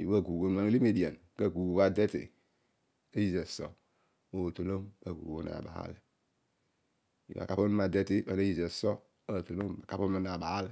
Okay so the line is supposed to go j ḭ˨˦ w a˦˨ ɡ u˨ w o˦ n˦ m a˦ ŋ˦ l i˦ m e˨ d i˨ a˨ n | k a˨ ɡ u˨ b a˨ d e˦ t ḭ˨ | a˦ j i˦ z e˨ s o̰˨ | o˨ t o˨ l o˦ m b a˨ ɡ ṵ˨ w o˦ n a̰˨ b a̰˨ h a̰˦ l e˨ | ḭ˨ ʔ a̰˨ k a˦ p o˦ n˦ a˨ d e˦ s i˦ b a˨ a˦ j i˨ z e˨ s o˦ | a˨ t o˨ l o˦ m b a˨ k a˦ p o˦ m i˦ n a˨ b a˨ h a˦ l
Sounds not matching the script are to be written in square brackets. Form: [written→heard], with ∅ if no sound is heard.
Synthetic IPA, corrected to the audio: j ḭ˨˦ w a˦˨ ɡ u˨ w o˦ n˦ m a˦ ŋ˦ l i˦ m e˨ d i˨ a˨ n | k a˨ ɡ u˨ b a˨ d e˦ t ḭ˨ | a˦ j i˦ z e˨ s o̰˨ | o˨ t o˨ l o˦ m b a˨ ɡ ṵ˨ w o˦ n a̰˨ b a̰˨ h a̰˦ l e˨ | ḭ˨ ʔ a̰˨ k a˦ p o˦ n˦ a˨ d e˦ [s→t] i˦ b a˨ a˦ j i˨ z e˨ s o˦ | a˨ t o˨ l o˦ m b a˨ k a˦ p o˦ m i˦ n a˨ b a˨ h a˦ l